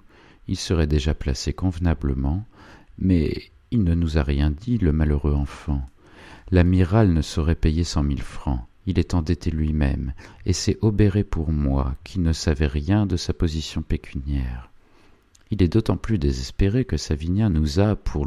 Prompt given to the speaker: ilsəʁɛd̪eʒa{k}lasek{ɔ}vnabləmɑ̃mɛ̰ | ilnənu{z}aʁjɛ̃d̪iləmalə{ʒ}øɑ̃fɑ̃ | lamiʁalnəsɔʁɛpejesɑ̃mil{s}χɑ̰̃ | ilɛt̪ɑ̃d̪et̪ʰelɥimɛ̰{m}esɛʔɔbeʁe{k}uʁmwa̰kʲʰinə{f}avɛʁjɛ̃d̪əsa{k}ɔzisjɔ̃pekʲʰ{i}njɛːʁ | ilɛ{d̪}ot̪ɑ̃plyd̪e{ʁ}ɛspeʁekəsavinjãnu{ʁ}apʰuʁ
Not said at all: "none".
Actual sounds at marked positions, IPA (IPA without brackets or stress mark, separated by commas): p, ɔ̃, z, ʁ, f, m, p, s, p, y, d̪, z, z